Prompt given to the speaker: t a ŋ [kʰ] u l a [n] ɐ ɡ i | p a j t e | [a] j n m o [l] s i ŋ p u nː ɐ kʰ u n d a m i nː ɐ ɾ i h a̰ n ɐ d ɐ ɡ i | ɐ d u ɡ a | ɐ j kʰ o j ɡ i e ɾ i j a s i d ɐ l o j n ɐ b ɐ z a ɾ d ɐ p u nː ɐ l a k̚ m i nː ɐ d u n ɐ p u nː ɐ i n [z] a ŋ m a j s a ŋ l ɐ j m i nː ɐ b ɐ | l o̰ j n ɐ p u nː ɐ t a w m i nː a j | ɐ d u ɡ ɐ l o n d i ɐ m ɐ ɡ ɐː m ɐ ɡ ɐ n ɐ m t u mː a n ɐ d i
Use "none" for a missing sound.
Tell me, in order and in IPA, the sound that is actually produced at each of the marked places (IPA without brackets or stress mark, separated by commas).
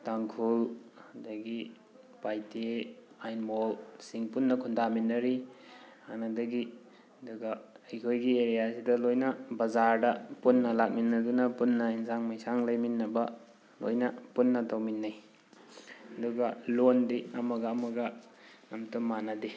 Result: kʰ, d, a, l, s